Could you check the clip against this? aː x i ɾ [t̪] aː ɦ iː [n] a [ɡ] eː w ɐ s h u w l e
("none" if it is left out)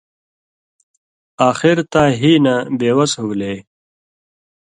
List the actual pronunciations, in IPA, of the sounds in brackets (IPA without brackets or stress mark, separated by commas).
t̪, n, b